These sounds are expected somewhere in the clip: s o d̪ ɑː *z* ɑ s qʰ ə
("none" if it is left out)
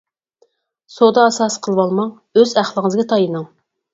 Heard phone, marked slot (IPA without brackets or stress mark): s